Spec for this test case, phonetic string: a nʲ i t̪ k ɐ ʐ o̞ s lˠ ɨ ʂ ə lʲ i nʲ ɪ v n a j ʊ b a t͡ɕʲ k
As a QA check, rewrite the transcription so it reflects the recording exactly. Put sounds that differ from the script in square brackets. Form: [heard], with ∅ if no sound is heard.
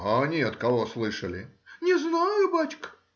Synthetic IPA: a nʲ [e] t̪ k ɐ [v] o̞ s lˠ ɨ ʂ ə lʲ [ɪ] nʲ ɪ [z] n a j ʊ b a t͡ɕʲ k